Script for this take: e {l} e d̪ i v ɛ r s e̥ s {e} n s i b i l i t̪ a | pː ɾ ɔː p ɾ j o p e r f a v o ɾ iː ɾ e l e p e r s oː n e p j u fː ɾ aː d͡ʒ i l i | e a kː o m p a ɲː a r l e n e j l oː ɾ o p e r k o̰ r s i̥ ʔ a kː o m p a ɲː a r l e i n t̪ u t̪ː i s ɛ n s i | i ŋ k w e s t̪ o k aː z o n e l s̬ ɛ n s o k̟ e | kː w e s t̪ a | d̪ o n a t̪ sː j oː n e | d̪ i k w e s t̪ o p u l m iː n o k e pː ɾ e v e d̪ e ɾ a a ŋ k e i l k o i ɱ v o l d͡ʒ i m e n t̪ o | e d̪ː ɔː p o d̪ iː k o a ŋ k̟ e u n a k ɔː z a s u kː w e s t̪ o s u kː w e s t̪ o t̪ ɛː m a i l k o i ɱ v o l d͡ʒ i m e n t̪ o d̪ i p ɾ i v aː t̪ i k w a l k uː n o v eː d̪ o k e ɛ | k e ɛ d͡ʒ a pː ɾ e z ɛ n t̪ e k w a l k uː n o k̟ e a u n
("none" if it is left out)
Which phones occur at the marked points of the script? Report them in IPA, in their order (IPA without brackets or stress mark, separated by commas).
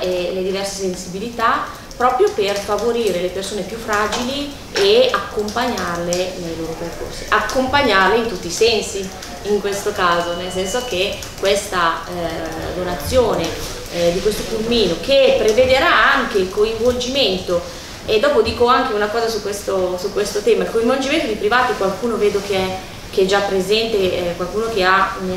l, e